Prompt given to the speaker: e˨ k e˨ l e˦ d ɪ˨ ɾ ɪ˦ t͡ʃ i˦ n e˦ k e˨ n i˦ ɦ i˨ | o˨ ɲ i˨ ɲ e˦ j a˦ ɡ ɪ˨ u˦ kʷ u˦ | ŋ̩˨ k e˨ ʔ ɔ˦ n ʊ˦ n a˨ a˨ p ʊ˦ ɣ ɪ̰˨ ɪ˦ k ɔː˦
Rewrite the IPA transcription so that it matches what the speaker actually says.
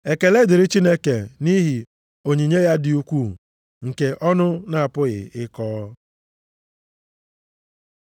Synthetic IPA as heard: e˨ k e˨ l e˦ d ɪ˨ ɾ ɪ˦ t͡ʃ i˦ n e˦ k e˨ n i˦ ɦ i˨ | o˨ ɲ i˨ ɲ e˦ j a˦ d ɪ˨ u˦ kʷ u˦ | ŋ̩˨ k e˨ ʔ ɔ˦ n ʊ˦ n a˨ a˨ p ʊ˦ ɣ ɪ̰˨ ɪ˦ k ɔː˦

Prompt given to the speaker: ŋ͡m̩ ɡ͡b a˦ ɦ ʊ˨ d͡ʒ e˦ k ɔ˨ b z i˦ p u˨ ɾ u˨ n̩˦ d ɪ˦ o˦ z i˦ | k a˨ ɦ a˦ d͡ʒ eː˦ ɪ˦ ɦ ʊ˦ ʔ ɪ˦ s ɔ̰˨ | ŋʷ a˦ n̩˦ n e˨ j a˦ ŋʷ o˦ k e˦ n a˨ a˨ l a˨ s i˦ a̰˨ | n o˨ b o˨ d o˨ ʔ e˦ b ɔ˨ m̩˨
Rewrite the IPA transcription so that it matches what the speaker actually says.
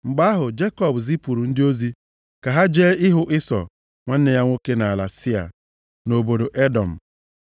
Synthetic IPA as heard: ŋ͡m̩ ɡ͡b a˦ ɦ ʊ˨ d͡ʒ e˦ k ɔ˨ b z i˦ p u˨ ɾ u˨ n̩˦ d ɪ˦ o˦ z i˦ | k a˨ ɦ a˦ d͡ʒ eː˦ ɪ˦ ɦ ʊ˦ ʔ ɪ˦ s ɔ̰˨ | ŋʷ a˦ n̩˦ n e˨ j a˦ ŋʷ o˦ k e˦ n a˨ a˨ l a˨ s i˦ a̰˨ | n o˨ b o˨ d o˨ ʔ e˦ d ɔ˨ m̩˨

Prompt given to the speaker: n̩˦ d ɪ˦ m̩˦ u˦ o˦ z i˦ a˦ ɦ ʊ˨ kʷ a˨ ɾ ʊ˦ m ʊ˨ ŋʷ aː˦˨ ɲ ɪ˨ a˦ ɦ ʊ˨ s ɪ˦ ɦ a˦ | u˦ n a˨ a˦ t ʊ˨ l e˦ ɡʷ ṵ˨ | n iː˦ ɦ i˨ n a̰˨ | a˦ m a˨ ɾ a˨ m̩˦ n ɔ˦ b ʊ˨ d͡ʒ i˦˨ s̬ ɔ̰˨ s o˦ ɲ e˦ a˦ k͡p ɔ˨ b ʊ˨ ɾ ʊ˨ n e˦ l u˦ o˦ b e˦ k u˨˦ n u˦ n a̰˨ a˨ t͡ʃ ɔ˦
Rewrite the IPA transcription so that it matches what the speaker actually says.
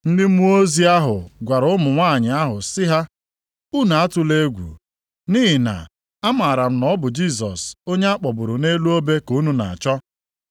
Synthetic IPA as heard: n̩˦ d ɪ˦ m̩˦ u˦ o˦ z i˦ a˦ ɦ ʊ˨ ɡʷ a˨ ɾ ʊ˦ m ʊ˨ ŋʷ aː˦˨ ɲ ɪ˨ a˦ ɦ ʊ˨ s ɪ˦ ɦ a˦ | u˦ n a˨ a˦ t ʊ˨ l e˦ ɡʷ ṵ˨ | n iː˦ ɦ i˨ n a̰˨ | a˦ m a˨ ɾ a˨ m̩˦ n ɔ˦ b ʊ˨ d͡ʒ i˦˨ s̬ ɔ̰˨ s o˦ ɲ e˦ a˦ k͡p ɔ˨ b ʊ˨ ɾ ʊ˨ n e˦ l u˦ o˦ b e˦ k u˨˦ n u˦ n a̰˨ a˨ t͡ʃ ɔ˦

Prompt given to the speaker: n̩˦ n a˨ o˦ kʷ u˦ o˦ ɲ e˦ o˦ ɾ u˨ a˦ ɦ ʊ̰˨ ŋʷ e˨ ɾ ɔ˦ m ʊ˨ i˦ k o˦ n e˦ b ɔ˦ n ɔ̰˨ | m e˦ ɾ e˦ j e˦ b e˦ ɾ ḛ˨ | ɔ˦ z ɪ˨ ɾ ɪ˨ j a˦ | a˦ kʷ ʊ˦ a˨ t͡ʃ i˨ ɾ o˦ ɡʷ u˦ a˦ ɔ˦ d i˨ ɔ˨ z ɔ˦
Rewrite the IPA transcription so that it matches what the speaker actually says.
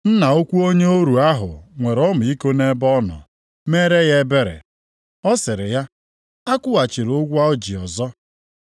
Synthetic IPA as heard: n̩˦ n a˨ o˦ kʷ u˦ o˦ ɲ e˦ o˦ ɾ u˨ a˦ ɦ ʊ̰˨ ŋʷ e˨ ɾ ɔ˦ m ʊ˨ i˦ k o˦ n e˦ b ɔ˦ n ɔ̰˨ | m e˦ ɾ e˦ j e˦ b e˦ ɾ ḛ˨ | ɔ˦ s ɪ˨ ɾ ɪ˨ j a˦ | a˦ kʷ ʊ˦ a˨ t͡ʃ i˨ ɾ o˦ ɡʷ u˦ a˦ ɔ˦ d͡ʒ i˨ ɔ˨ z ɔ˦

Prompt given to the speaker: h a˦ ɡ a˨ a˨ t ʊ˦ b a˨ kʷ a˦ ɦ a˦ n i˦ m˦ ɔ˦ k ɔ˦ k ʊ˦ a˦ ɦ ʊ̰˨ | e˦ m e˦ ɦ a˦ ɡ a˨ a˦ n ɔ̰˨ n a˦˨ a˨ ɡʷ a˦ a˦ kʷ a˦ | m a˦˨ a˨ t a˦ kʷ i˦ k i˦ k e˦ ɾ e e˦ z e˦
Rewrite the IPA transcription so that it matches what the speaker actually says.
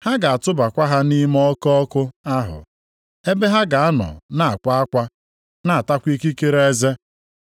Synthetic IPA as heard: h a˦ ɡ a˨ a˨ t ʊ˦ b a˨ kʷ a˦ ɦ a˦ n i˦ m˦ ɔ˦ k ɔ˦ k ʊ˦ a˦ ɦ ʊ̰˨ | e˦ b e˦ ɦ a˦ ɡ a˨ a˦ n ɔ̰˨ n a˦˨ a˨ kʷ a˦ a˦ kʷ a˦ | n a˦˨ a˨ t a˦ kʷ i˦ k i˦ k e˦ ɾ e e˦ z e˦

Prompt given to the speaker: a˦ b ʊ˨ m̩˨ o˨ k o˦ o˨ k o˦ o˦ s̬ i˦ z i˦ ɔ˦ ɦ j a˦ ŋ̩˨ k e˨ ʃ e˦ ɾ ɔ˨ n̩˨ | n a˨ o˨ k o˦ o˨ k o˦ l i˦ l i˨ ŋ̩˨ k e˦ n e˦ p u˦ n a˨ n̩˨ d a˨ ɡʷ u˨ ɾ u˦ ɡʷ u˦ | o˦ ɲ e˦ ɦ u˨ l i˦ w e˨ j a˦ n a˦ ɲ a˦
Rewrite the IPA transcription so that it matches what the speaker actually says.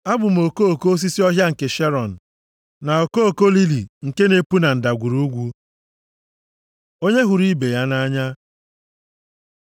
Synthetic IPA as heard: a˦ b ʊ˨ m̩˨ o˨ k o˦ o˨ k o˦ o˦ s̬ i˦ s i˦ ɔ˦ ɦ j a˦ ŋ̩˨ k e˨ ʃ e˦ ɾ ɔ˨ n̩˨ | n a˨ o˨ k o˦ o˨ k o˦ l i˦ l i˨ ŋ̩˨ k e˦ n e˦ p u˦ n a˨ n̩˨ d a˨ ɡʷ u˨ ɾ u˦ ɡʷ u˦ | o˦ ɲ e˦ ɦ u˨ ɾ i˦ b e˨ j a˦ n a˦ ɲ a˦

